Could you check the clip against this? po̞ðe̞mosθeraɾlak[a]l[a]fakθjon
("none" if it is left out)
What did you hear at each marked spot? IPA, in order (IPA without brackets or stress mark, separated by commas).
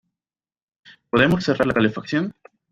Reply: a, e